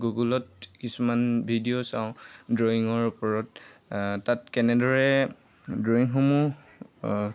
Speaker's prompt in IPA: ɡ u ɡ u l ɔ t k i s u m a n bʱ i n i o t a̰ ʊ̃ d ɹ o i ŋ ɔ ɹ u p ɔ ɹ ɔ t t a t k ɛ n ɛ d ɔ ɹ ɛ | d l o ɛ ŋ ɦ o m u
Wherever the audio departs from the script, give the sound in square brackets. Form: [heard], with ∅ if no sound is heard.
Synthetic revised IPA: ɡ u ɡ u l ɔ t k i s u m a n bʱ i [d] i o [s] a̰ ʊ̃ d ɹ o i ŋ ɔ ɹ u p ɔ ɹ ɔ t t a t k ɛ n ɛ d ɔ ɹ ɛ | d [ɹ] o [i] ŋ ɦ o m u